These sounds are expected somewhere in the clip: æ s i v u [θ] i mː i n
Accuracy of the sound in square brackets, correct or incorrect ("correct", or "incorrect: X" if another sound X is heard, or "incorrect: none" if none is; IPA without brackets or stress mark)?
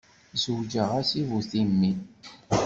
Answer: correct